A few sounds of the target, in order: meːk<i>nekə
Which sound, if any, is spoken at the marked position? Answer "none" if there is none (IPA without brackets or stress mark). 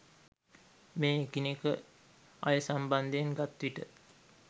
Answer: i